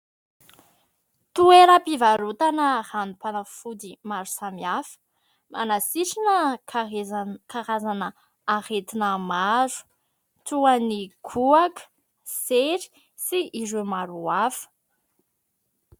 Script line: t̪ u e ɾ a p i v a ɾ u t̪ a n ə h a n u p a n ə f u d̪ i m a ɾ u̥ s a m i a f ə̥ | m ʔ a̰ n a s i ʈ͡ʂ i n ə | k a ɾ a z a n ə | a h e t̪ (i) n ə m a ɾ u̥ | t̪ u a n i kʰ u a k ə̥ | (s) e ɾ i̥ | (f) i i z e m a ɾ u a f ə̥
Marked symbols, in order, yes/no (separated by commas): yes, yes, no